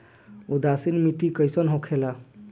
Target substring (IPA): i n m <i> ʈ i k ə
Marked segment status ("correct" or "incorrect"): correct